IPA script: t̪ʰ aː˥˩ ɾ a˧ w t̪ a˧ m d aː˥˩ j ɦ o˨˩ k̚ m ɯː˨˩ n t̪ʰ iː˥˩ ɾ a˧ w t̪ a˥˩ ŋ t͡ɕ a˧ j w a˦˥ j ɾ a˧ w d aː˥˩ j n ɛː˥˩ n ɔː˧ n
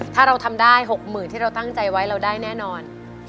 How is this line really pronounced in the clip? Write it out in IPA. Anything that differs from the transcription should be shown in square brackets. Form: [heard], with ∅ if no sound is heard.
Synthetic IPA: t̪ʰ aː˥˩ ɾ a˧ w [t̪ʰ] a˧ m d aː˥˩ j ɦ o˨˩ k̚ m ɯː˨˩ n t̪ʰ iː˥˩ ɾ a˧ w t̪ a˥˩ ŋ t͡ɕ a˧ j w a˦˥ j ɾ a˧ w d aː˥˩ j n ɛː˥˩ n ɔː˧ n